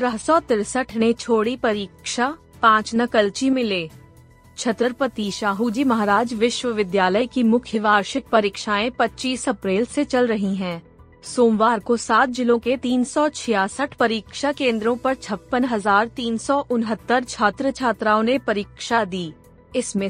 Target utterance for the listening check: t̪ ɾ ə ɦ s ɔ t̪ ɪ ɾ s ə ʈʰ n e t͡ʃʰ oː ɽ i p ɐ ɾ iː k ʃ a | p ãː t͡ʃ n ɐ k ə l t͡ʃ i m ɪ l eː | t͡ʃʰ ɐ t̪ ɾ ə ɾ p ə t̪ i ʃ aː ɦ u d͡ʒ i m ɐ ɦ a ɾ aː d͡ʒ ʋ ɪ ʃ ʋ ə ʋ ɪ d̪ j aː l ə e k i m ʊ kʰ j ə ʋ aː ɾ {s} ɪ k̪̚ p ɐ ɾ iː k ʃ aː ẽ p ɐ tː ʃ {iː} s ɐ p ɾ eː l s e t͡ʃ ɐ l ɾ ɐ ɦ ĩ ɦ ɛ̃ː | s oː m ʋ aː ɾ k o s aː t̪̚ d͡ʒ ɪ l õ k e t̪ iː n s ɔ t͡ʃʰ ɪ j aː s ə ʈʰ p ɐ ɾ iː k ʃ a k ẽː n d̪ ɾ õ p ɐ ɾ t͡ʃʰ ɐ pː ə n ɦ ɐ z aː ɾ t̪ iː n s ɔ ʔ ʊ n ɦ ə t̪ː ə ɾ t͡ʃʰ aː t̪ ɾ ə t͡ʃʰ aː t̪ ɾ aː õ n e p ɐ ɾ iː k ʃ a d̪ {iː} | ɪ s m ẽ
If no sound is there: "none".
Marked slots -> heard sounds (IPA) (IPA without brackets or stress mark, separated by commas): ʃ, iː, iː